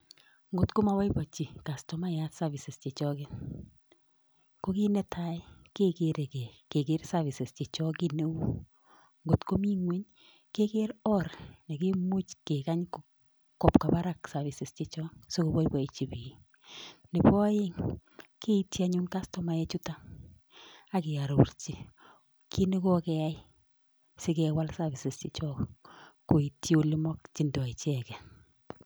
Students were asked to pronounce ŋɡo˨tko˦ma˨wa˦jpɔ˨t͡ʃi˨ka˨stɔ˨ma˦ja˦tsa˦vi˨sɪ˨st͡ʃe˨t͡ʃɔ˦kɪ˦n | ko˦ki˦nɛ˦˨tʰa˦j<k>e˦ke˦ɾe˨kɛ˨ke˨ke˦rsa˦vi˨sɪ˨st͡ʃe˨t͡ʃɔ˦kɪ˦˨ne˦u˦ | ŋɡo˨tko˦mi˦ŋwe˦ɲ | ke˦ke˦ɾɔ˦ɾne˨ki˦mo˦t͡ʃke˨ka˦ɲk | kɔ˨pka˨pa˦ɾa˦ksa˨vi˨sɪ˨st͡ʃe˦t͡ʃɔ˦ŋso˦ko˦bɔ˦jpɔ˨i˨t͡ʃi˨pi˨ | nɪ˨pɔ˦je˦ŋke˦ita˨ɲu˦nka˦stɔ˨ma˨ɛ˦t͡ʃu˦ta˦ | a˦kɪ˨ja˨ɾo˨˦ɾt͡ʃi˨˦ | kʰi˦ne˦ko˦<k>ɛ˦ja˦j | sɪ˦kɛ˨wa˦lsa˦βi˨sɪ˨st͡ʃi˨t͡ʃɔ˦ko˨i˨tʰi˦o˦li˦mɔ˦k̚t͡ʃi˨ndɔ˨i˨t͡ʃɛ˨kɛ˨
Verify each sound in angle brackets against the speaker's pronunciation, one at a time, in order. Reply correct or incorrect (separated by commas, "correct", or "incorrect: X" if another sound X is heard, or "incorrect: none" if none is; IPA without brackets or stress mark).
correct, correct